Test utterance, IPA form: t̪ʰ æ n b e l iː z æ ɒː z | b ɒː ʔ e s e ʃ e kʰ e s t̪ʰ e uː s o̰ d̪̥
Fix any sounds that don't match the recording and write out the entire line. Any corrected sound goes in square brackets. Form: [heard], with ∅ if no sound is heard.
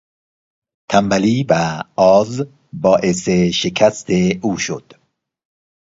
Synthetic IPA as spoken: t̪ʰ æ [m] b [æ] l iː [v] æ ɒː z | b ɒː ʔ e s e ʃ e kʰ [æ] s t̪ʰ e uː [ʃ] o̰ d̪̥